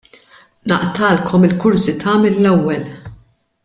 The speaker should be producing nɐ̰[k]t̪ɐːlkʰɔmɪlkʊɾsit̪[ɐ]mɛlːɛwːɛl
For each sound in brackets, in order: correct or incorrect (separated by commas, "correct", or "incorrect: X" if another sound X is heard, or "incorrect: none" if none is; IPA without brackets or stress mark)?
incorrect: ʔ, incorrect: ɐː